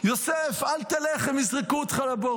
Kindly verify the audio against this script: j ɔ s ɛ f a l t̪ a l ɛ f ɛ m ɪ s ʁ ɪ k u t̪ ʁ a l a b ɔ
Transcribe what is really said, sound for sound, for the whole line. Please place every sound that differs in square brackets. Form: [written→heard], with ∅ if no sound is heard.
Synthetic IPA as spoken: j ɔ s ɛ f a l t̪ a l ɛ [f→χ] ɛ m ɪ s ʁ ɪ k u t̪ [ʁ→χ] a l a b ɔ